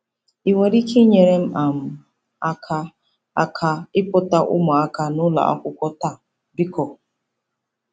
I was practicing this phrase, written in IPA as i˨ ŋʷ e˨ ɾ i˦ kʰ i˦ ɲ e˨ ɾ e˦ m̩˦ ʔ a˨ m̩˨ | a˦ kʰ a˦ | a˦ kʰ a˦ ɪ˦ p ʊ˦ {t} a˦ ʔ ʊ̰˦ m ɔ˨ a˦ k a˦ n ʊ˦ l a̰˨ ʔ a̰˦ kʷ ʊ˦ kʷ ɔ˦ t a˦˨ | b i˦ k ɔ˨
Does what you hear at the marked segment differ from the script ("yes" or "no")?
no